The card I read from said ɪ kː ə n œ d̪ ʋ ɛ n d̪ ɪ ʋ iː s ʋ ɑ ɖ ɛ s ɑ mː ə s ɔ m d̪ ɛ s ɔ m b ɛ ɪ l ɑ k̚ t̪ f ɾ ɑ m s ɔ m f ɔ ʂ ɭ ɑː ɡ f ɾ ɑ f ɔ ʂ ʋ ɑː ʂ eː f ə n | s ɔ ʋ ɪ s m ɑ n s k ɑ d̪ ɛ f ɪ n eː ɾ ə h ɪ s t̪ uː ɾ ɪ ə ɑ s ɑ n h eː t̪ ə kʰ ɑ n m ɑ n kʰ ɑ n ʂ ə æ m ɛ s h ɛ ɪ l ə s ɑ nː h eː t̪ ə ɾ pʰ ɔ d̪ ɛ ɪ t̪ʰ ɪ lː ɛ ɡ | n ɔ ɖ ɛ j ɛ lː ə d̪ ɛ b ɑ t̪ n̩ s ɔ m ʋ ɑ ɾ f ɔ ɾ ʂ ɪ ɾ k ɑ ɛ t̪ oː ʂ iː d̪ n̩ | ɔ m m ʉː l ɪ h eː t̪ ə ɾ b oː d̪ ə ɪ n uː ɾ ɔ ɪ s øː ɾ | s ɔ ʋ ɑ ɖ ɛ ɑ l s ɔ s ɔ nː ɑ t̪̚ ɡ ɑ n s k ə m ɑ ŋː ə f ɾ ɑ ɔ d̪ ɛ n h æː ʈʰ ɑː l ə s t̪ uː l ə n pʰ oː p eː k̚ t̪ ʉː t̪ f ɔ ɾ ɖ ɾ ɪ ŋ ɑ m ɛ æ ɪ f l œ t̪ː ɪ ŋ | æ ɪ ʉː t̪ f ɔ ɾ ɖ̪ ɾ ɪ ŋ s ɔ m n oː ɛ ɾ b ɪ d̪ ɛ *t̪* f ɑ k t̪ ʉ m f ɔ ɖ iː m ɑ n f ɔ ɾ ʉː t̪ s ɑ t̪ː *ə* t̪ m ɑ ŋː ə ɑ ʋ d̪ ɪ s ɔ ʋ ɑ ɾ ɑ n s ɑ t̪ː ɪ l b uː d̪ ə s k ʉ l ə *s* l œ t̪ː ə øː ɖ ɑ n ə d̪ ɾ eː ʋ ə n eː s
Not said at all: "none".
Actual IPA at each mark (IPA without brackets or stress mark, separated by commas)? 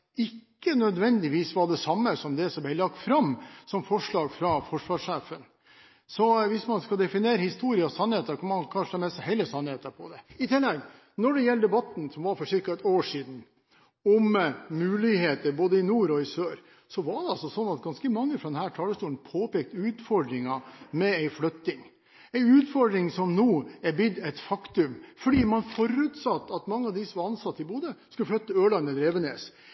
t̪, ɑ, f